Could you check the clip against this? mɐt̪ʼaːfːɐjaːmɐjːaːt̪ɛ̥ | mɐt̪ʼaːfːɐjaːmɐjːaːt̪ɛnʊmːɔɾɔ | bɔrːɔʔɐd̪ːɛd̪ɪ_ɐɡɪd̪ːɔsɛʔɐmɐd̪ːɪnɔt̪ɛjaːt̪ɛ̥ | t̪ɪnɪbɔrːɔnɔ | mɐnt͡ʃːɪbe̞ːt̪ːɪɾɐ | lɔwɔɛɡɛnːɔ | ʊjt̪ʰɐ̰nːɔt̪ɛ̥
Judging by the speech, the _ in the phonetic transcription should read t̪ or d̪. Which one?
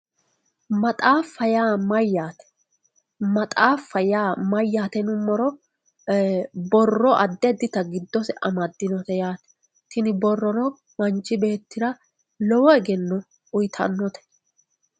t̪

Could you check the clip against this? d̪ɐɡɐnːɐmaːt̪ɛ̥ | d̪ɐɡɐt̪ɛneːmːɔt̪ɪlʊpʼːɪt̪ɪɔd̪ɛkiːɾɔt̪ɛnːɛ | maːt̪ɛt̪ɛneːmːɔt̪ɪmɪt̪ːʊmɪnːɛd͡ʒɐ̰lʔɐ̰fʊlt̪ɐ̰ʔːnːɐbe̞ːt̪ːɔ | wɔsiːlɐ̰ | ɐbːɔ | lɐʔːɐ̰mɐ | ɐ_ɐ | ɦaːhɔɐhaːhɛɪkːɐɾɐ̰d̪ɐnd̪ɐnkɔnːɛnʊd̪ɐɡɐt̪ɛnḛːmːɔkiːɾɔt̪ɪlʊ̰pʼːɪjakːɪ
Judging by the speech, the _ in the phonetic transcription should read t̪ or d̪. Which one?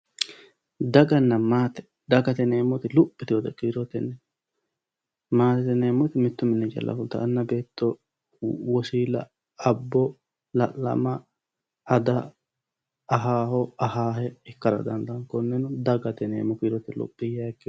d̪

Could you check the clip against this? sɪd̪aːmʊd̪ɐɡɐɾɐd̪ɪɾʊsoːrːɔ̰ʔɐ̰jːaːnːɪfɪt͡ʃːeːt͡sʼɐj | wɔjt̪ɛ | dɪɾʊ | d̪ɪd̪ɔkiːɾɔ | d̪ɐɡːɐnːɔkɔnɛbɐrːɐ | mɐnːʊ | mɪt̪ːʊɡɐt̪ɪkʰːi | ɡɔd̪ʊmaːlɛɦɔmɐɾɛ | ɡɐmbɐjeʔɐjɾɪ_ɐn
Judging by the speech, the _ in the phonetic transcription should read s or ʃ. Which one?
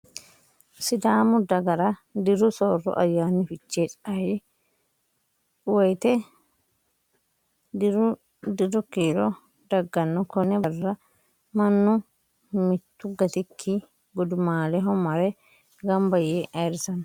s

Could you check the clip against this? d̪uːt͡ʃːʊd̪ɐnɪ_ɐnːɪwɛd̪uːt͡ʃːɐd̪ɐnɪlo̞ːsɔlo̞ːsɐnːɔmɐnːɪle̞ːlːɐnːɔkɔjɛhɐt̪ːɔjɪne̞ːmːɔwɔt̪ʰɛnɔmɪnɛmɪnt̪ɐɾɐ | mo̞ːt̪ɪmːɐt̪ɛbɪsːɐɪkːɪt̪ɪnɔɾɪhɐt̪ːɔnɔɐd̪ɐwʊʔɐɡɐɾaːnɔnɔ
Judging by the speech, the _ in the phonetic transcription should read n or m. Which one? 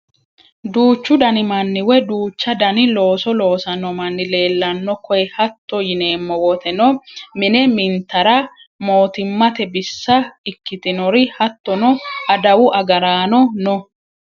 m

